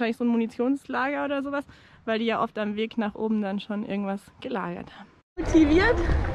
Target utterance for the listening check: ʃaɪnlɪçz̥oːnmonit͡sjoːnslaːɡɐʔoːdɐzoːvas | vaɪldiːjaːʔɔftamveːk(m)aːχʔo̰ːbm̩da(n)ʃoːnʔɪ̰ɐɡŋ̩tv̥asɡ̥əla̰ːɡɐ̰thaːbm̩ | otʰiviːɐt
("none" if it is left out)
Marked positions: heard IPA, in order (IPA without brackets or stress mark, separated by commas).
n, n